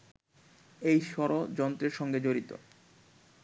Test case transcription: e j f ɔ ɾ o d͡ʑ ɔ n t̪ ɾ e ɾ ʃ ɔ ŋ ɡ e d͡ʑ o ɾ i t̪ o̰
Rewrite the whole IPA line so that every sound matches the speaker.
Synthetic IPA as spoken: e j ʃ ɔ ɾ o d͡ʑ ɔ n t̪ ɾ e ɾ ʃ ɔ ŋ ɡ e d͡ʑ o ɾ i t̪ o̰